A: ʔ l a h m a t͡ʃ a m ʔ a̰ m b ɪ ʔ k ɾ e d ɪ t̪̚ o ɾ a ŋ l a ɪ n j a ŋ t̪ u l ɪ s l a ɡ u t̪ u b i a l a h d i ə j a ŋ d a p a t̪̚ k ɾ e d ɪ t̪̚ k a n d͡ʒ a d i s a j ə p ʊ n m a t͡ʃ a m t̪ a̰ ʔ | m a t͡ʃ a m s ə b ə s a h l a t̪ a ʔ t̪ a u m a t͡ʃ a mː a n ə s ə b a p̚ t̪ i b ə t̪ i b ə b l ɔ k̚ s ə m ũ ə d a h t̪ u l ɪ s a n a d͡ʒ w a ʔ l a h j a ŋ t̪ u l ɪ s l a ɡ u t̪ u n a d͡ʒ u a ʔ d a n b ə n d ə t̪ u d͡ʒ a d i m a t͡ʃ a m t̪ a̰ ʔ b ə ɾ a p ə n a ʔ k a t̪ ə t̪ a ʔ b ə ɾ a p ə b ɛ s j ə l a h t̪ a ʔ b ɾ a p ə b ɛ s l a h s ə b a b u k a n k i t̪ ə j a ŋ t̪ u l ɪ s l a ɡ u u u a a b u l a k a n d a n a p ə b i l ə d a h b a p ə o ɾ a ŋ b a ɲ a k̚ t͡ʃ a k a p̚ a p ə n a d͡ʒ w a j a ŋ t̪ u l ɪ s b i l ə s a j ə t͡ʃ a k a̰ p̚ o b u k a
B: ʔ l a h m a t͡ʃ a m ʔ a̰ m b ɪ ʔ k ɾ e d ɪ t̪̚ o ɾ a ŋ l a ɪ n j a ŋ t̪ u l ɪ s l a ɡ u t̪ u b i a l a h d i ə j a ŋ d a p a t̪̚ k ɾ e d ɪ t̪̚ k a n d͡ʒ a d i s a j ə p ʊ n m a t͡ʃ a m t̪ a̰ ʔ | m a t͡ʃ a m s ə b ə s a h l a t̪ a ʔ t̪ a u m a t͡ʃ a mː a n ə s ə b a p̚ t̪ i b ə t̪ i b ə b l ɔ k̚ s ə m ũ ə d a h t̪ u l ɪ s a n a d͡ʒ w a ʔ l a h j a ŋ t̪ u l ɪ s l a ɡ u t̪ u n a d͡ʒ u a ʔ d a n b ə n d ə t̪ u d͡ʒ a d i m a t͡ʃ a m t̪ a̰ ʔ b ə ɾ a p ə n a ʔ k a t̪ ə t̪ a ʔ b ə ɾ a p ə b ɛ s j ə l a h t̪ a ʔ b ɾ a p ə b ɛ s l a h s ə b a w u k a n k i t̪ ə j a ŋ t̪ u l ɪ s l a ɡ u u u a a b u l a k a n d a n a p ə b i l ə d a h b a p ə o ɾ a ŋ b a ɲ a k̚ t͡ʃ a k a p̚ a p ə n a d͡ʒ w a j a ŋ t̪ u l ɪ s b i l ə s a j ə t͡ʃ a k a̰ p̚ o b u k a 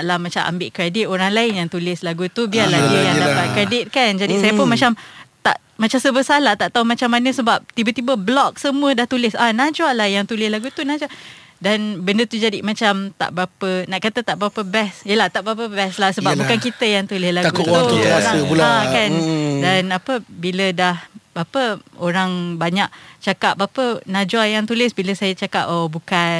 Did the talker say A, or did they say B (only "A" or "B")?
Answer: A